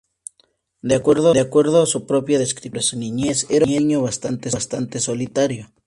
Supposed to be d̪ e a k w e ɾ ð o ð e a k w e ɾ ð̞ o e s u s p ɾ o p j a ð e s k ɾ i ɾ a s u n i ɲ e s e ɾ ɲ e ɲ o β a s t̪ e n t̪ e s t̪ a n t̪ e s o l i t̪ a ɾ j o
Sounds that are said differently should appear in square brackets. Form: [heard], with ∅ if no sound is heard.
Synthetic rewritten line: d̪ e a k w e ɾ ð o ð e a k w e ɾ ð̞ o [a] s u [∅] p ɾ o p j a ð e s k ɾ i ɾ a s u n i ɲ e s e ɾ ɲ e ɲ o β a s t̪ [a] n t̪ e s t̪ a n t̪ e s o l i t̪ a ɾ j o

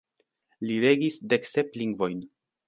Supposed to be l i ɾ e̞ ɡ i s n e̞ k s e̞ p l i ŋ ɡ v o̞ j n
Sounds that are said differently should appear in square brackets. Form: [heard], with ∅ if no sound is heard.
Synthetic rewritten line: l i ɾ e̞ ɡ i s [d] e̞ k s e̞ p l i ŋ ɡ v o̞ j n

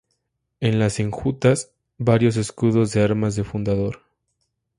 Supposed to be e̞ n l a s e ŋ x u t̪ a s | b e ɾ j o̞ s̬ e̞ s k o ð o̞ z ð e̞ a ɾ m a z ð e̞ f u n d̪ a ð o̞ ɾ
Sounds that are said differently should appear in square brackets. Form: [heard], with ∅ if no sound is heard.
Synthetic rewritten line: e̞ n l a s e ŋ x u t̪ a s | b [a] ɾ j o̞ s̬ e̞ s k [u] ð o̞ z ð e̞ a ɾ m a z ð e̞ f u n d̪ a ð o̞ ɾ

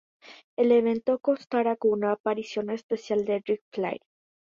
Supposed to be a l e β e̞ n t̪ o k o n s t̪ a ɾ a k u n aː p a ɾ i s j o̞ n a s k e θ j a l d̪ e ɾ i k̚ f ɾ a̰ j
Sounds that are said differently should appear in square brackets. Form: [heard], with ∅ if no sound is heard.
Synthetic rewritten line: [e] l e β e̞ n t̪ o k o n s t̪ a ɾ a k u n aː p a ɾ i s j o̞ n [e] s [p] e [s] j a l d̪ e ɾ i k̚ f [l] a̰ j

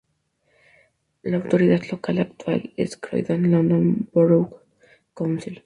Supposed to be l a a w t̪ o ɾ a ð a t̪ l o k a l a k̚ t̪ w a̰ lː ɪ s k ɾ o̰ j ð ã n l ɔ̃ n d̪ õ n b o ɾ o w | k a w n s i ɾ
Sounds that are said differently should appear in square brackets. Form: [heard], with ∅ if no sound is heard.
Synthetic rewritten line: l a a w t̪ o ɾ [i] ð a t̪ l o k a l a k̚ t̪ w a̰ [l] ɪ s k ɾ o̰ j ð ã n l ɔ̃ n d̪ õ n b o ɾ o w | k a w n s i [l]

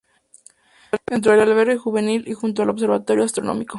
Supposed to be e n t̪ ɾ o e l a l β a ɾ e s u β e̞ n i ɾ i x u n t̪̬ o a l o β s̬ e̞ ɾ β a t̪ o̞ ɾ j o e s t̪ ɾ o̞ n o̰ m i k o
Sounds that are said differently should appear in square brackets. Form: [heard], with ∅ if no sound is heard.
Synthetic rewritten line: e n t̪ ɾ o e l a l β [e] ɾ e [x] u β e̞ n i [l] i x u n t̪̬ o a l o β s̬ e̞ ɾ β a t̪ o̞ ɾ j o [a] s t̪ ɾ o̞ n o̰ m i k o

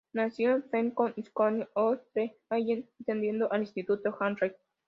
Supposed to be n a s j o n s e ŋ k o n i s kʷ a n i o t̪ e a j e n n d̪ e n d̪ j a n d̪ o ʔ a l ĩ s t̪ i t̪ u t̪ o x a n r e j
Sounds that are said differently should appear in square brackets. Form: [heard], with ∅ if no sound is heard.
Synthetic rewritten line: n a s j o n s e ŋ k o n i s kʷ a n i o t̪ e a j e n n [t̪] e n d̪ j [e] n d̪ o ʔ a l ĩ s t̪ i t̪ u t̪ o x a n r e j

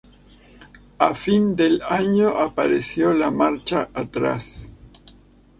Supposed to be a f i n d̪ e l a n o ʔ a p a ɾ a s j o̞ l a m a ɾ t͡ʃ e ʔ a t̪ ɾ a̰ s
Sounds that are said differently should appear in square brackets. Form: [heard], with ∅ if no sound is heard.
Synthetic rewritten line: a f i n d̪ e l a [ɲ] o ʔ a p a ɾ [e] s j o̞ l a m a ɾ t͡ʃ [a] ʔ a t̪ ɾ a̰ s

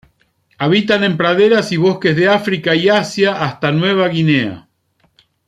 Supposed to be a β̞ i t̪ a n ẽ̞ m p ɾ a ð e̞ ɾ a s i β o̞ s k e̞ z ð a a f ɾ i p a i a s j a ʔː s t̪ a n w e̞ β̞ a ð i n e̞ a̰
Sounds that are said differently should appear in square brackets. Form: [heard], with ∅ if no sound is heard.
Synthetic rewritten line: a β̞ i t̪ a n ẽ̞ m p ɾ a ð e̞ ɾ a s i β o̞ s k e̞ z ð [e] a f ɾ i [k] a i a s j a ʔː s t̪ a n w e̞ β̞ a [ɣ] i n e̞ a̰

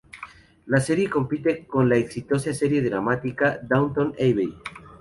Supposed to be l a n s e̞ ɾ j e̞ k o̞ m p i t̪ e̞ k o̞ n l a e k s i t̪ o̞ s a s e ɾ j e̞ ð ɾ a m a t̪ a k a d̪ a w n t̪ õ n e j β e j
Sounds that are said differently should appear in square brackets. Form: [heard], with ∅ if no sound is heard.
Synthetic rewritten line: l a [∅] s e̞ ɾ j e̞ k o̞ m p i t̪ e̞ k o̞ n l a e k s i t̪ o̞ s a s e ɾ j e̞ ð ɾ a m a t̪ [i] k a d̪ a w n t̪ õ n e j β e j

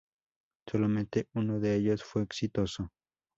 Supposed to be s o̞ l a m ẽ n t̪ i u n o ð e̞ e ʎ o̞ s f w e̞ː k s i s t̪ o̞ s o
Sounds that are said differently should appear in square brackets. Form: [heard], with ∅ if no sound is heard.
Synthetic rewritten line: s o̞ l a m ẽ n t̪ [e] u n o ð e̞ e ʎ o̞ s f w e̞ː k s i [∅] t̪ o̞ s o

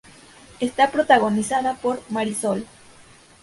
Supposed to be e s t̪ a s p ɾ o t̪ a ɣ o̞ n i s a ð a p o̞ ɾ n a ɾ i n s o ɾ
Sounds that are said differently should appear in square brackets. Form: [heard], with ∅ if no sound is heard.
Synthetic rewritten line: e s t̪ a [∅] p ɾ o t̪ a ɣ o̞ n i s a ð a p o̞ ɾ [m] a ɾ i [∅] s o [l]

